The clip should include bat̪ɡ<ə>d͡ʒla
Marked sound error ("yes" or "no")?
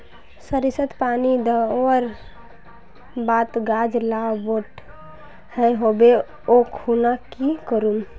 yes